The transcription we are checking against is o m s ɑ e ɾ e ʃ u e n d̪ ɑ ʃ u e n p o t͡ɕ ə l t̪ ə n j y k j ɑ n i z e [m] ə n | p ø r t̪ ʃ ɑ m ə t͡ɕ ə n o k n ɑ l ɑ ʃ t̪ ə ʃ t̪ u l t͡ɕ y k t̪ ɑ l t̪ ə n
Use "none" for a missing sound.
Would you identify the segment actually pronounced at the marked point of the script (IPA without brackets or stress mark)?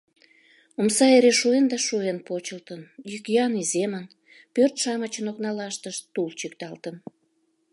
m